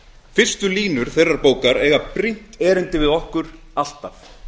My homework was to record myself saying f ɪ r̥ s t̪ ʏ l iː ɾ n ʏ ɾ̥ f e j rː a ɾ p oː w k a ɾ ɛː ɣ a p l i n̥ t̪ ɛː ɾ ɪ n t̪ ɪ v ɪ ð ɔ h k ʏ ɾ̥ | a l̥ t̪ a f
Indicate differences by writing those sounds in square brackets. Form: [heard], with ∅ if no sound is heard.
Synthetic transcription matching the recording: f ɪ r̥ s t̪ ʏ l iː [∅] n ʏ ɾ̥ [θ] e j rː a ɾ p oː w k a ɾ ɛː ɣ a p [ɾ] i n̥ t̪ ɛː ɾ ɪ n t̪ ɪ v ɪ ð ɔ h k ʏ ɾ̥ | a l̥ t̪ a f